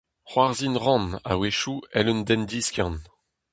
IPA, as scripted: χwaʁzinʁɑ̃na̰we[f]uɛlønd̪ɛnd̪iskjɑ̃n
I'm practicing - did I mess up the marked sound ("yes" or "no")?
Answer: yes